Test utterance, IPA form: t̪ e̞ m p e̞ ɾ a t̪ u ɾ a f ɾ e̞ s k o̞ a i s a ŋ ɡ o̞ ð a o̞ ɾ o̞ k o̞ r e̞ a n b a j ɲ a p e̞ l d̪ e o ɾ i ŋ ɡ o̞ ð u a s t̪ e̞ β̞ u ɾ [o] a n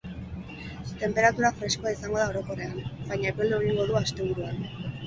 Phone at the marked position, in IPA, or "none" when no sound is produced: u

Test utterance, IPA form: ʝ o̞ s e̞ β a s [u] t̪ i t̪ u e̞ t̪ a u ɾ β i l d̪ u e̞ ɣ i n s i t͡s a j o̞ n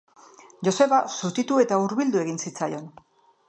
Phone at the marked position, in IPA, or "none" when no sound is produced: u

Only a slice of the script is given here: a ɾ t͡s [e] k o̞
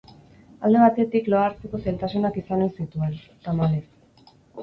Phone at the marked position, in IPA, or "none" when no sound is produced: e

